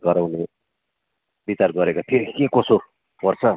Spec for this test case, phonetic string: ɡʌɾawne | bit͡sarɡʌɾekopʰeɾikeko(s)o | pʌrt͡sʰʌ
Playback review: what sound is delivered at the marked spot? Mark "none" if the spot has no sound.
s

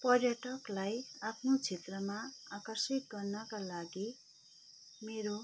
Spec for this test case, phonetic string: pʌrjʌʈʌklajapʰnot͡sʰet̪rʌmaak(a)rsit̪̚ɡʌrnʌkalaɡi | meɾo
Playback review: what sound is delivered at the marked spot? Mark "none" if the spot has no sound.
ʌ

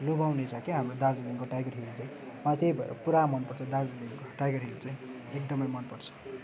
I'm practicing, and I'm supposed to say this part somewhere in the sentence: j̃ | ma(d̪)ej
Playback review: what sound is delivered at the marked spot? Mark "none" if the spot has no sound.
t̪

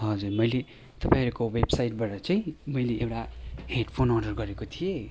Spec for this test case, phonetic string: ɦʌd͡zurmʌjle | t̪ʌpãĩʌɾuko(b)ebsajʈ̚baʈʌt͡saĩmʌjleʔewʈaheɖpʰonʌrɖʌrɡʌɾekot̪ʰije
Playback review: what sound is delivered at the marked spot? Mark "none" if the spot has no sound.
w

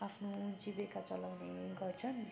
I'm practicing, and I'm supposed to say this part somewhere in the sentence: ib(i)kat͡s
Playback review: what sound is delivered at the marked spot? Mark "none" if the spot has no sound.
e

